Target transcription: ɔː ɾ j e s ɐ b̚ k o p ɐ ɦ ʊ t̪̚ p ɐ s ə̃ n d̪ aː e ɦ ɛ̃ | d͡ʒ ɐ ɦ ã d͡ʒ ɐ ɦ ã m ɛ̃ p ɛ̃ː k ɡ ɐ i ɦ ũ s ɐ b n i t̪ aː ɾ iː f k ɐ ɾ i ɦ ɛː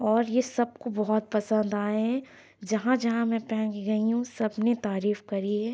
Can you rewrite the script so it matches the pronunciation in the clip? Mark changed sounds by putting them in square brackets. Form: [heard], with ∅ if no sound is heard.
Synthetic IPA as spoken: ɔː ɾ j e s ɐ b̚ k o [b] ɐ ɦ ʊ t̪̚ p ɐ s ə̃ n d̪ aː e ɦ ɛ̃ | d͡ʒ ɐ ɦ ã d͡ʒ ɐ ɦ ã m ɛ̃ p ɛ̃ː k ɡ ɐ i ɦ ũ s ɐ b n [e] t̪ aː ɾ iː f k ɐ ɾ i ɦ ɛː